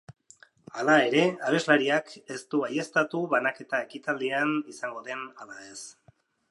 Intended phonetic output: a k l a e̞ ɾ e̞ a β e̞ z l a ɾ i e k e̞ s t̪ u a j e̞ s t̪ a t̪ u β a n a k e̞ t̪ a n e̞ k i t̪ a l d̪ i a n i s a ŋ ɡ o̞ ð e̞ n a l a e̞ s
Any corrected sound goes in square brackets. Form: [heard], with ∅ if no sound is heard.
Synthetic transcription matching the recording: a [∅] l a e̞ ɾ e̞ a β e̞ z l a ɾ i [a] k e̞ s t̪ u a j e̞ s t̪ a t̪ u β a n a k e̞ t̪ a [∅] e̞ k i t̪ a l d̪ i a n i s a ŋ ɡ o̞ ð e̞ n a l a e̞ s

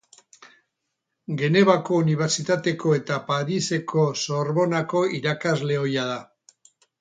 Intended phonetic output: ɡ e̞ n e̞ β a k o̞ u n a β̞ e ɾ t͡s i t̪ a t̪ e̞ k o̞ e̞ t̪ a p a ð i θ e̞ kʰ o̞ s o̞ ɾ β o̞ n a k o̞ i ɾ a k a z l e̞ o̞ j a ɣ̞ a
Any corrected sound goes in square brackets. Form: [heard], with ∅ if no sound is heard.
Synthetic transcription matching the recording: ɡ e̞ n e̞ β a k o̞ u n [i] β̞ e ɾ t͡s i t̪ a t̪ e̞ k o̞ e̞ t̪ a p a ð i [s] e̞ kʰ o̞ s o̞ ɾ β o̞ n a k o̞ i ɾ a k a z l e̞ o̞ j a [ð̞] a

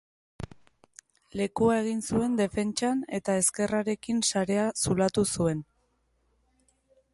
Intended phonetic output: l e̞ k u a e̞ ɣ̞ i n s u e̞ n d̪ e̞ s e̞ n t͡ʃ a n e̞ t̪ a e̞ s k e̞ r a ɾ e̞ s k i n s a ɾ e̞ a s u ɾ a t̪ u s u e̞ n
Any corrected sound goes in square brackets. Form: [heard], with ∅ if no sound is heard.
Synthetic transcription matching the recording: l e̞ k u a e̞ ɣ̞ i n s u e̞ n d̪ e̞ [f] e̞ n t͡ʃ a n e̞ t̪ a e̞ s k e̞ r a ɾ e̞ [∅] k i n s a ɾ e̞ a s u [l] a t̪ u s u e̞ n

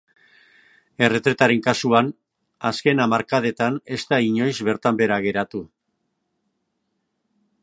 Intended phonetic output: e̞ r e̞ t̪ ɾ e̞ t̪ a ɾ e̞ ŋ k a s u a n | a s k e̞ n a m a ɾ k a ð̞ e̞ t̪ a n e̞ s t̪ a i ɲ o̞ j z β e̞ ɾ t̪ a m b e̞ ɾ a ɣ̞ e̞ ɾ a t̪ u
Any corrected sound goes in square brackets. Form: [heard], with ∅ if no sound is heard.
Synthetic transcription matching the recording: e̞ r e̞ t̪ ɾ e̞ t̪ a ɾ e̞ ŋ k a s u a n | a s k e̞ n a m a ɾ k a ð̞ e̞ t̪ a n e̞ s t̪ a i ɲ o̞ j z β e̞ ɾ t̪ a m b e̞ ɾ a ɣ̞ e̞ ɾ a t̪ u

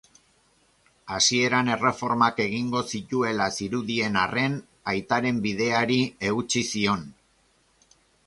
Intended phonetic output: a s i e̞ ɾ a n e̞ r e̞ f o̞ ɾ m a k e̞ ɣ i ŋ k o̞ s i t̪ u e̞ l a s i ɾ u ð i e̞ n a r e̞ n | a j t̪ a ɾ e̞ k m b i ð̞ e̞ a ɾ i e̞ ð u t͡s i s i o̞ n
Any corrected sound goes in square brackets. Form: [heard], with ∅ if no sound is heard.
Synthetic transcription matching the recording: a s i e̞ ɾ a n e̞ r e̞ f o̞ ɾ m a k e̞ ɣ i ŋ [ɡ] o̞ s i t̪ u e̞ l a s i ɾ u ð i e̞ n a r e̞ n | a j t̪ a ɾ e̞ [∅] m b i ð̞ e̞ a ɾ i e̞ [ɣ] u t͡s i s i o̞ n

